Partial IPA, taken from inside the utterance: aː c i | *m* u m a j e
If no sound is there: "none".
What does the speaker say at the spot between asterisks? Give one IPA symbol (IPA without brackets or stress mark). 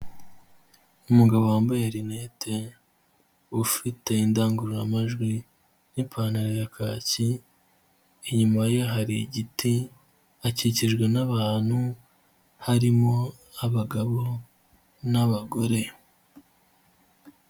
ɲ